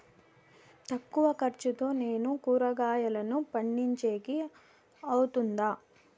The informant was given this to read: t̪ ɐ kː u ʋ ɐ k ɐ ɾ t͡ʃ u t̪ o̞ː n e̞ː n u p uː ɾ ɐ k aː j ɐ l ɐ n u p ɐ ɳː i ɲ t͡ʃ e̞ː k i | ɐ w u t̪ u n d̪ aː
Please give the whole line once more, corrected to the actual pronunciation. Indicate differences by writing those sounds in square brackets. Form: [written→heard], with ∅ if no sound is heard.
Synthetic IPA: t̪ ɐ kː u ʋ ɐ k ɐ ɾ t͡ʃ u t̪ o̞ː n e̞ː n u [p→k] uː ɾ ɐ [k→ɡ] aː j ɐ l ɐ n u p ɐ ɳː i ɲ t͡ʃ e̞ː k i | ɐ w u t̪ u n d̪ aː